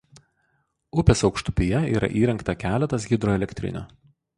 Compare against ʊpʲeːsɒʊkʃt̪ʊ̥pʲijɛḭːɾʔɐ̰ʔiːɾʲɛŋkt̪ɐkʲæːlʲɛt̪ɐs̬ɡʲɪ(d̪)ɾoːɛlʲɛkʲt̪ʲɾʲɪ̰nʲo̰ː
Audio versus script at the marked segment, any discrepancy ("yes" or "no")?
no